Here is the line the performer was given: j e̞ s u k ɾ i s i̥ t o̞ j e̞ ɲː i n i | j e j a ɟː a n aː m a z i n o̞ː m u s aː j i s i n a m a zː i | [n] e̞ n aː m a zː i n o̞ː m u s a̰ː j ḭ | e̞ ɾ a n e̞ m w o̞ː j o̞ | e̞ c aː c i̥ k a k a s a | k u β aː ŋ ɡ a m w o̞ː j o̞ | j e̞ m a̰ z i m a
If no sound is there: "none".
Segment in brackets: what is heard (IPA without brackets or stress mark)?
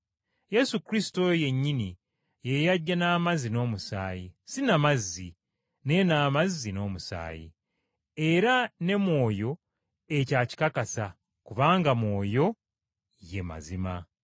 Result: n